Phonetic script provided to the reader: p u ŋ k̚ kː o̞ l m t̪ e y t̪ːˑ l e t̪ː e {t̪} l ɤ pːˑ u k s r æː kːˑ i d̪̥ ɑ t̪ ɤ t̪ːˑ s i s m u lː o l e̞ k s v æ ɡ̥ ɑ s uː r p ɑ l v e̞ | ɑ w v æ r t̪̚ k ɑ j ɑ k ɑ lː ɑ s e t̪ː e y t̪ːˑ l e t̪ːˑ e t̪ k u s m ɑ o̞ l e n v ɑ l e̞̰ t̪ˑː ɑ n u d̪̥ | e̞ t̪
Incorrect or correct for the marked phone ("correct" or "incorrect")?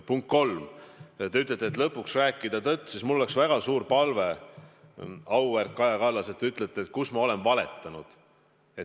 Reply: correct